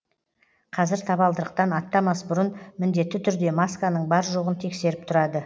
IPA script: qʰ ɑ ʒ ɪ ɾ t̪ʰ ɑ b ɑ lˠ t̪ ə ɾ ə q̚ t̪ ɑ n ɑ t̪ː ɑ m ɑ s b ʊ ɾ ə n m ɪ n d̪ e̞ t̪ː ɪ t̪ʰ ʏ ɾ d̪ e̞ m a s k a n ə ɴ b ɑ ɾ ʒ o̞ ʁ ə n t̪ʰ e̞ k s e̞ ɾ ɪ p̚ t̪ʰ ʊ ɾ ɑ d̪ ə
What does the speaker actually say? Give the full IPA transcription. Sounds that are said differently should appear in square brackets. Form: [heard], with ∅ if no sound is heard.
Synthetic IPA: qʰ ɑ [z] ɪ ɾ t̪ʰ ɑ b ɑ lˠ [d̪] ə ɾ ə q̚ t̪ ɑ n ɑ t̪ː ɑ m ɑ s b ʊ ɾ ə n m ɪ n d̪ e̞ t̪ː ɪ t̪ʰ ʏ ɾ d̪ e̞ m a s k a n ə ɴ b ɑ ɾ ʒ o̞ ʁ ə n t̪ʰ e̞ k s e̞ ɾ ɪ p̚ t̪ʰ ʊ ɾ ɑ d̪ ə